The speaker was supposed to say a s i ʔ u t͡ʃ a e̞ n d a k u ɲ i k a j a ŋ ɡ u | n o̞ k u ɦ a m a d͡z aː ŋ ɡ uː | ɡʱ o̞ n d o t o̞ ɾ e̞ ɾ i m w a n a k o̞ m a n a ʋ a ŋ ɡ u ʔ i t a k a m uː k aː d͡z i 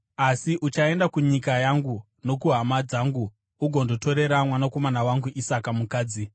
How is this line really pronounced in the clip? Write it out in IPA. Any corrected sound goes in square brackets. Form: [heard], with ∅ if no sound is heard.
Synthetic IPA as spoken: a s i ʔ u t͡ʃ a e̞ n d a k u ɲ i k a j a ŋ ɡ u | n o̞ k u ɦ a m a d͡z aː ŋ ɡ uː | ɡʱ o̞ n d o t o̞ ɾ e̞ ɾ [a] m w a n a k o̞ m a n a [w] a ŋ ɡ u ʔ i [s] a k a m [u] k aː d͡z i